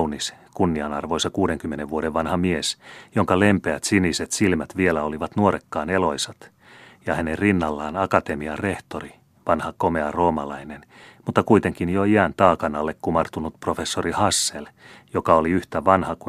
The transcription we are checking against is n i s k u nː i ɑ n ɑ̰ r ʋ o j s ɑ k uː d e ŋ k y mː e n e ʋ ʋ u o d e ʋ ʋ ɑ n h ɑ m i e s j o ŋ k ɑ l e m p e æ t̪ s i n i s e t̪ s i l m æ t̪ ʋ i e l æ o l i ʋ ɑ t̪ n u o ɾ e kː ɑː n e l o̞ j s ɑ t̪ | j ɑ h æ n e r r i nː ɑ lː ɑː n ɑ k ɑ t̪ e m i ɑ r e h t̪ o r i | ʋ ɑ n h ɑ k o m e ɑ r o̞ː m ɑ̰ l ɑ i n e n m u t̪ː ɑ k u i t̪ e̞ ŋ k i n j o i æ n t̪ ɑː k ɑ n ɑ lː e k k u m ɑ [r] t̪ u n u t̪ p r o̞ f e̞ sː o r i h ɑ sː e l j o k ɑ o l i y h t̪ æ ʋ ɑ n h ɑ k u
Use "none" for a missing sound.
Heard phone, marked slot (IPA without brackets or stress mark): r